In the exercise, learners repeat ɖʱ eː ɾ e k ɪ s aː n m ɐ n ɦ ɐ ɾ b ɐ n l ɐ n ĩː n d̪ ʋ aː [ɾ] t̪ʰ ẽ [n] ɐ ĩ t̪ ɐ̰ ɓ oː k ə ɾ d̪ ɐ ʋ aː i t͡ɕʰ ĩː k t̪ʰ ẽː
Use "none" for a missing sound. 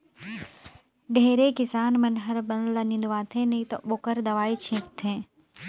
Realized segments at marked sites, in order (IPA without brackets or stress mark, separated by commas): none, n